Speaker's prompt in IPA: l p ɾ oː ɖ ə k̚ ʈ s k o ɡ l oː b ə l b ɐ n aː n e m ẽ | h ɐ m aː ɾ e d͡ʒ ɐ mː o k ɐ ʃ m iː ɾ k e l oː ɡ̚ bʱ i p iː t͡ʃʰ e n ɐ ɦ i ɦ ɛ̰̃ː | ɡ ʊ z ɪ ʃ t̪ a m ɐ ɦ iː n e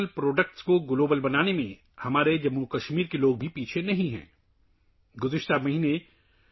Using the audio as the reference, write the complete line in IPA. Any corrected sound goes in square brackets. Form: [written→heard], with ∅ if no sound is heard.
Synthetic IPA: l p ɾ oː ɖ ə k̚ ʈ s k o ɡ l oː b ə l b ɐ n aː n e m ẽ | h ɐ m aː ɾ e d͡ʒ ɐ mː [o→u] k ɐ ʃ m iː ɾ k e l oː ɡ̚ bʱ i p iː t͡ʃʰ e n ɐ ɦ [i→ĩ] ɦ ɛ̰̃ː | ɡ ʊ z ɪ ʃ t̪ a m ɐ ɦ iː n e